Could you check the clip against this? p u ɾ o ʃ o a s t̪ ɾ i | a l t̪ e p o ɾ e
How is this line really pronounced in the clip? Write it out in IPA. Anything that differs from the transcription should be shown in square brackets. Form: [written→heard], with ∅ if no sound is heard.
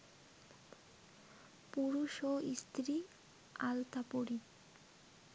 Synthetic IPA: p u ɾ [o→u] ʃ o [a→i] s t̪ ɾ i | a l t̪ [e→a] p o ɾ [e→i]